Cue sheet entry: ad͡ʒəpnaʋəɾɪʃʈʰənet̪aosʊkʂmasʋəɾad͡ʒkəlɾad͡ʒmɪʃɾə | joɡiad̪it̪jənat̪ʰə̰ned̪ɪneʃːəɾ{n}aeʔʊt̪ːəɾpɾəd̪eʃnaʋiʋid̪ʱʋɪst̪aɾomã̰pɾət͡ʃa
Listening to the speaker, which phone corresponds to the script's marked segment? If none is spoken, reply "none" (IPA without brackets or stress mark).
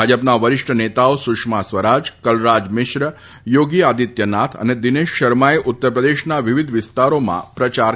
m